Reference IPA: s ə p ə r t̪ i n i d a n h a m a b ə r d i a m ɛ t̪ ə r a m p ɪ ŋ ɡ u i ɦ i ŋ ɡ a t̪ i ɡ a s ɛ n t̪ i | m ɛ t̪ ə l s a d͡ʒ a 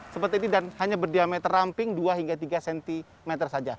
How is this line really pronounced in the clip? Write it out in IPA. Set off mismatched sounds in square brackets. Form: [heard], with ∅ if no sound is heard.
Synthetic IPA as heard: s ə p ə r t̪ i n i d a n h a [ɲ] a b ə r d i a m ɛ t̪ ə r a m p ɪ ŋ [d] u [a] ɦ i ŋ ɡ a t̪ i ɡ a s ɛ n t̪ i | m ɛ t̪ ə [r] s a d͡ʒ a